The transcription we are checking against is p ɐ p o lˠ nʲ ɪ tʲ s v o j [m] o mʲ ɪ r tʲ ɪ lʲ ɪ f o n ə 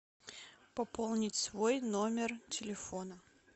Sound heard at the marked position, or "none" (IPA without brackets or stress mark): n